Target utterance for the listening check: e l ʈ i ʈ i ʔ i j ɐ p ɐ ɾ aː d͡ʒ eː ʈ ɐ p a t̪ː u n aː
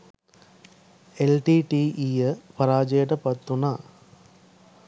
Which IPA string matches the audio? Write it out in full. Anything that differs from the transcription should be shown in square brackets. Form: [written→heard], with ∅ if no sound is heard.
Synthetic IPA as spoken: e l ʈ i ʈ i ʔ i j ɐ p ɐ ɾ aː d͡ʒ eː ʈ ɐ p [a→ɐ] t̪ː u n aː

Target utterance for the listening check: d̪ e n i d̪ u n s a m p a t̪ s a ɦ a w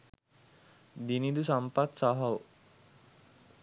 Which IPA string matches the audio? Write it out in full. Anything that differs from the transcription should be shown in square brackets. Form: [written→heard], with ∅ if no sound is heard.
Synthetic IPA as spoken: d̪ [e→i] n i d̪ u [n→∅] s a m p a t̪ s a ɦ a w

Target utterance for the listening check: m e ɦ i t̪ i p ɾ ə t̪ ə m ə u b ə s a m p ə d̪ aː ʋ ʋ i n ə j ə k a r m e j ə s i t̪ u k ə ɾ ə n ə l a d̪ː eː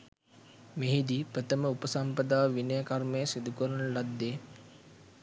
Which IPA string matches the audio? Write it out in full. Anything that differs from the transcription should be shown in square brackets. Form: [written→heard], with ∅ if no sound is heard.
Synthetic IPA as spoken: m e ɦ i [t̪→d̪] i p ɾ ə t̪ ə m ə u [b→p] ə s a m p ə d̪ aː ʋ ʋ i n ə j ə k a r m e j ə s i [t̪→d̪] u k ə ɾ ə n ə l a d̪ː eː

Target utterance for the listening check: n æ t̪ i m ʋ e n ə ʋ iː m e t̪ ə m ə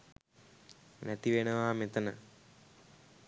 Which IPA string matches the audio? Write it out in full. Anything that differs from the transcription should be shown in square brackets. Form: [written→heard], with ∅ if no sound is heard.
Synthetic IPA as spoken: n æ t̪ i [m→∅] ʋ e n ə ʋ [iː→aː] m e t̪ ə [m→n] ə

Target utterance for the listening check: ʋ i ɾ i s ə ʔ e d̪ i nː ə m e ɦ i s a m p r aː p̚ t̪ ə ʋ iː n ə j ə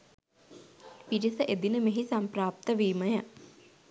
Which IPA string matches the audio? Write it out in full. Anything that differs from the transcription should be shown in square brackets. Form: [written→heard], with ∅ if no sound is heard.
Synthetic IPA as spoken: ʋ i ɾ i s ə ʔ e d̪ i [nː→n] ə m e ɦ i s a m p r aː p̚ t̪ ə ʋ iː [n→m] ə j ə

